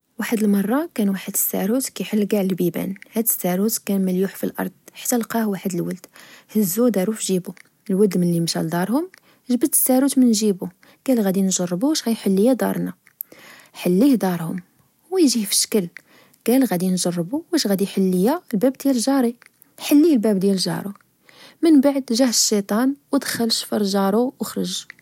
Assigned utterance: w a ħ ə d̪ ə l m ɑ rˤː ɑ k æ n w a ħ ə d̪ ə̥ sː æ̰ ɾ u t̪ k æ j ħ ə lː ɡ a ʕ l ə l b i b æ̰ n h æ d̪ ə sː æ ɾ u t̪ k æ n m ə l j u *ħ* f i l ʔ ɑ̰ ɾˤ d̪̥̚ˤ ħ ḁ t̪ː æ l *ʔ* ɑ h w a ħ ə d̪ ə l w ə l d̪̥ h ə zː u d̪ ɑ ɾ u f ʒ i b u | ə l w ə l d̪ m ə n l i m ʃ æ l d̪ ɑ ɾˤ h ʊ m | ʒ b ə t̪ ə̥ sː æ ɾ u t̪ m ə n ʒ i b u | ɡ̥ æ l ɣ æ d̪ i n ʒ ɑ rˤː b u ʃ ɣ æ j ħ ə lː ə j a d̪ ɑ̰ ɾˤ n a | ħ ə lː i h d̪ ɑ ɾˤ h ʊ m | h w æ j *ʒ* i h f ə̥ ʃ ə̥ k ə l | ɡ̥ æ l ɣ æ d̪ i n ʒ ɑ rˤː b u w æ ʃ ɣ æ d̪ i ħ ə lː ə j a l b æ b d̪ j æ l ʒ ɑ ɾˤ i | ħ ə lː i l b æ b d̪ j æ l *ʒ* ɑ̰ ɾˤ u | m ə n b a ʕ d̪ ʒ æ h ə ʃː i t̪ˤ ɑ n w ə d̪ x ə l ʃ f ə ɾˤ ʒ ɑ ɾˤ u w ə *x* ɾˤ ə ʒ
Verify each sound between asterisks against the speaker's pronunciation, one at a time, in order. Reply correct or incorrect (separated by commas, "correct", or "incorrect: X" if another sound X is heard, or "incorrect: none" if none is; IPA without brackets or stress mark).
correct, incorrect: q, correct, correct, correct